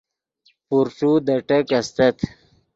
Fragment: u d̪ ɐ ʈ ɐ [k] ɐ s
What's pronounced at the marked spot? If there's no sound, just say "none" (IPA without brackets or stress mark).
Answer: k